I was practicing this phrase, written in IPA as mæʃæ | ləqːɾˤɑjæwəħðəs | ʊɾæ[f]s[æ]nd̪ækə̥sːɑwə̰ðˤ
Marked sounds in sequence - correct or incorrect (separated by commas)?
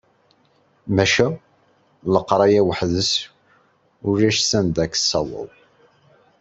incorrect, correct